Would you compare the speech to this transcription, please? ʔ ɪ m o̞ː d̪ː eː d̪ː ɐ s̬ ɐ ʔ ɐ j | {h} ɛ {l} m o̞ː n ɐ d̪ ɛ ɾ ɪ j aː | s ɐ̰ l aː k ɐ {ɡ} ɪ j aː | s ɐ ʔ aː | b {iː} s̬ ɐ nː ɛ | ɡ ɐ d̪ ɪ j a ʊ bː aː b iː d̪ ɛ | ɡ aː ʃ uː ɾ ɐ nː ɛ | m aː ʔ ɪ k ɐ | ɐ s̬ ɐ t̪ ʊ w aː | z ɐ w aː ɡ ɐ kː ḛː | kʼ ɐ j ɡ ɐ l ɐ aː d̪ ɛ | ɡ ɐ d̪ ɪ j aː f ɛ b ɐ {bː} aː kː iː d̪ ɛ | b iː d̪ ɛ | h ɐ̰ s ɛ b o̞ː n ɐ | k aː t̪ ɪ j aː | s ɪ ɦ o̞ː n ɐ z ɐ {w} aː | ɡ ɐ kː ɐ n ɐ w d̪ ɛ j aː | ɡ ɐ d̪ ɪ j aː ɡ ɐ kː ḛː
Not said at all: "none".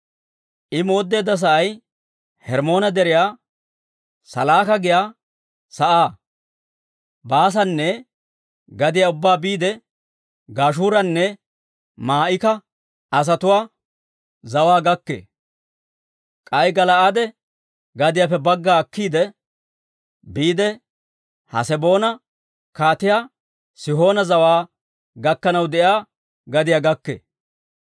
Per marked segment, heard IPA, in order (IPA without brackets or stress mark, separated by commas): h, ɾ, ɡ, aː, ɡː, w